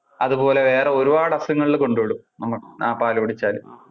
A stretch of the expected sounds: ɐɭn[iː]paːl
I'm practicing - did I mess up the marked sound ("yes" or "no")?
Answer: yes